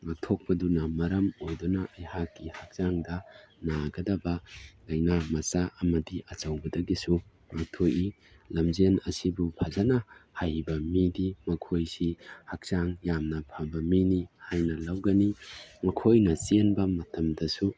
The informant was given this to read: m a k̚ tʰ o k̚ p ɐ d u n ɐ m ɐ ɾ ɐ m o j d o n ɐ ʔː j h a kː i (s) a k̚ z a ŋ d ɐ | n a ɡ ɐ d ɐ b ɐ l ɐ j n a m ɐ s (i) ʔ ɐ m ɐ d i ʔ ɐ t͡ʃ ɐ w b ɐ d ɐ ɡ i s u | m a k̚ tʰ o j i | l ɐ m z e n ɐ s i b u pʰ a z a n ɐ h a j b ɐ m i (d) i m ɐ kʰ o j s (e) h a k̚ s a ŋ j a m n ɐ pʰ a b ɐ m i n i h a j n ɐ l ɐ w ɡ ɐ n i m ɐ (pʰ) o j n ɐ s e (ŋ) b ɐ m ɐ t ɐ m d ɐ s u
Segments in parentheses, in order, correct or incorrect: incorrect, incorrect, correct, incorrect, incorrect, incorrect

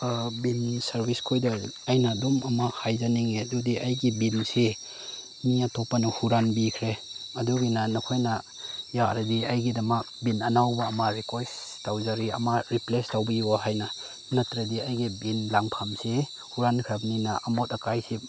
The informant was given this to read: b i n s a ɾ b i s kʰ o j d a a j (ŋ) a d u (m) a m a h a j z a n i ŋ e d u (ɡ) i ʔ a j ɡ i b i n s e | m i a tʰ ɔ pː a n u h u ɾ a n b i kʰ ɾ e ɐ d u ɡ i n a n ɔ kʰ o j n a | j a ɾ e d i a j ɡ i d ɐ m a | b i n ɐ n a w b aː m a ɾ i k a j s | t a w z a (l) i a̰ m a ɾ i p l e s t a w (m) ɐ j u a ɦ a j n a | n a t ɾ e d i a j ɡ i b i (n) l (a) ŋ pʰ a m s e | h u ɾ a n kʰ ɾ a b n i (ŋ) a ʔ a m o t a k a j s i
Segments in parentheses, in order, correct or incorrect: incorrect, correct, incorrect, incorrect, incorrect, correct, correct, incorrect

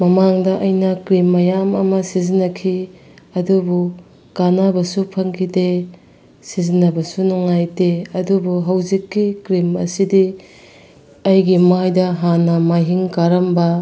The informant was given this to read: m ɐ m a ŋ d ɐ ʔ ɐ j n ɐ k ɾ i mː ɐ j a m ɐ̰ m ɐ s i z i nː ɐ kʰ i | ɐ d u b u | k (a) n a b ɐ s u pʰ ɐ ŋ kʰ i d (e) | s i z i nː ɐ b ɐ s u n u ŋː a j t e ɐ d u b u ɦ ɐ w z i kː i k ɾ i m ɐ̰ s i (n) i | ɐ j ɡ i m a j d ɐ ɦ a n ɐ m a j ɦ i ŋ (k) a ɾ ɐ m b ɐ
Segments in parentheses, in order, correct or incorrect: correct, correct, incorrect, correct

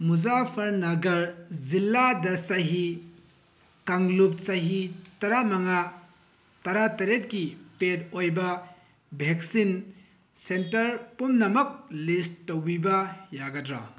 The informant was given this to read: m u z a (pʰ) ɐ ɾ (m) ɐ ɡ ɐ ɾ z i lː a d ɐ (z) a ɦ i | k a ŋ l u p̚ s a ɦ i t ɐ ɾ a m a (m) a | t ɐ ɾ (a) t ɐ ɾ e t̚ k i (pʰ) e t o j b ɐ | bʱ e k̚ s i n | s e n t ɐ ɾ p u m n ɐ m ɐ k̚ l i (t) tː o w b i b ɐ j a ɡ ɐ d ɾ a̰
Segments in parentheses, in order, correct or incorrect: correct, incorrect, incorrect, incorrect, correct, incorrect, incorrect

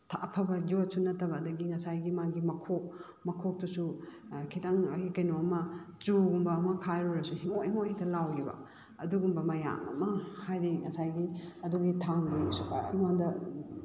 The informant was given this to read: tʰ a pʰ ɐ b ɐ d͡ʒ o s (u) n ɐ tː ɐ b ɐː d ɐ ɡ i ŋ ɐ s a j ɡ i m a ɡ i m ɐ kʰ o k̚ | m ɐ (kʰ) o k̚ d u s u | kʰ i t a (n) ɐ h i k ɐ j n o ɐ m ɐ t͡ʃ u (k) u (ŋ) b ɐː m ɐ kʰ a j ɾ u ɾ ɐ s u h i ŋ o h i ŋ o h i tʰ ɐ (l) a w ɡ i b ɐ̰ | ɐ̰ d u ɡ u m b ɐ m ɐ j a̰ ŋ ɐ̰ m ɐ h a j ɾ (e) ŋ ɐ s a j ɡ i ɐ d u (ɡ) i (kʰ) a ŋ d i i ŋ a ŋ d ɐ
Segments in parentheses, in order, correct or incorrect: correct, correct, incorrect, incorrect, incorrect, correct, incorrect, correct, incorrect

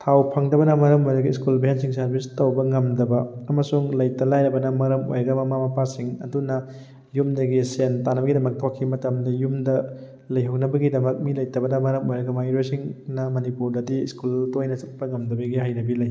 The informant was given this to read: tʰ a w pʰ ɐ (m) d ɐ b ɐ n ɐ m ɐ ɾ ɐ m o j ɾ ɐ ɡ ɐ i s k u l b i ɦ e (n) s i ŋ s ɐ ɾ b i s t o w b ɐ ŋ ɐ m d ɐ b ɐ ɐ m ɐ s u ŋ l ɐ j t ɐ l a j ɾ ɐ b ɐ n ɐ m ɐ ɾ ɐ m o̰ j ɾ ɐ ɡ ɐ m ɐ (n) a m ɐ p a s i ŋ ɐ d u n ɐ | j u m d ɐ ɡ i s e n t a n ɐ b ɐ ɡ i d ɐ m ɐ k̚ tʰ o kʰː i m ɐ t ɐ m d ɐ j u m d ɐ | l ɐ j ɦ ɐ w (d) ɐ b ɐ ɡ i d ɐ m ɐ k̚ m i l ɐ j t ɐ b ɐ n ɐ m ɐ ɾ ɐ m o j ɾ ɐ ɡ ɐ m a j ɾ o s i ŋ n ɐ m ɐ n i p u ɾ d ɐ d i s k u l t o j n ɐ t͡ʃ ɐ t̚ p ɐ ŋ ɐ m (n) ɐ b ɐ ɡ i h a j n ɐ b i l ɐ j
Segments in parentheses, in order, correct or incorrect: incorrect, correct, incorrect, incorrect, incorrect

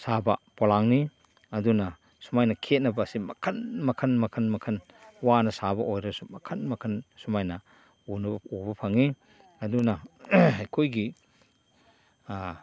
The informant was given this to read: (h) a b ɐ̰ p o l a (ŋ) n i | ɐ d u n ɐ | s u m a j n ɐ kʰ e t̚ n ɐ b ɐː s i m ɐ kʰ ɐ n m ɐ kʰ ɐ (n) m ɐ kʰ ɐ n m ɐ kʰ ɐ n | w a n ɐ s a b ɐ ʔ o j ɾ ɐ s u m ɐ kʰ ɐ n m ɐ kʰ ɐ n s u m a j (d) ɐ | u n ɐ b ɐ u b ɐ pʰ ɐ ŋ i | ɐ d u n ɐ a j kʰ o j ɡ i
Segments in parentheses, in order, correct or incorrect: incorrect, correct, correct, incorrect

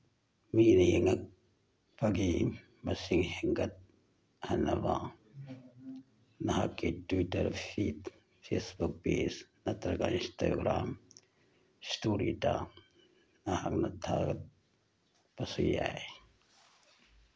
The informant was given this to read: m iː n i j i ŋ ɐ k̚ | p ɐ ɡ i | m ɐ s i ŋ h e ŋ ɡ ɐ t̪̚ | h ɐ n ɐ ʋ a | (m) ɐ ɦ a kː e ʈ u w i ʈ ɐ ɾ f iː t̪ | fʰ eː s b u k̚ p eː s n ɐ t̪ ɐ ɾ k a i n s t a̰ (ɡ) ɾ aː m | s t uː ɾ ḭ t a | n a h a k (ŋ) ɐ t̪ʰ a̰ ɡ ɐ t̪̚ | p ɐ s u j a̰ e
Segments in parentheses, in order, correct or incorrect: incorrect, correct, incorrect

